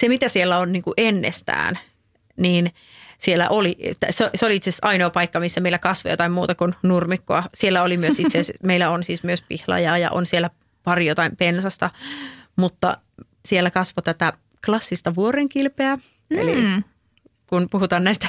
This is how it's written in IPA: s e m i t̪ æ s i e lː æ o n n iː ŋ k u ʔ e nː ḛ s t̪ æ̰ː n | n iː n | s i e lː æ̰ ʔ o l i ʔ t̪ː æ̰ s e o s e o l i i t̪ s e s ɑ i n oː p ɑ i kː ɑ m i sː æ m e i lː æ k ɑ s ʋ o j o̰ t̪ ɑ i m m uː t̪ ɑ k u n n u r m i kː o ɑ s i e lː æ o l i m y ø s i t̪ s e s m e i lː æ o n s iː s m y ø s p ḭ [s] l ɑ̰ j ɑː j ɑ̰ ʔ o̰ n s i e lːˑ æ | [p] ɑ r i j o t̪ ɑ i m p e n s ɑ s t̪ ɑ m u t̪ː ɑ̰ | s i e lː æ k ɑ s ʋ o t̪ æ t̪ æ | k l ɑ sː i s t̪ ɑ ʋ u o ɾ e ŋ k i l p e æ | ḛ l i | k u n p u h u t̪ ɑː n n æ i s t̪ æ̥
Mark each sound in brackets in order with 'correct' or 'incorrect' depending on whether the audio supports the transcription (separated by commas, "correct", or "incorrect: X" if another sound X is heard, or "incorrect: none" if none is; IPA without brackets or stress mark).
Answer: incorrect: h, correct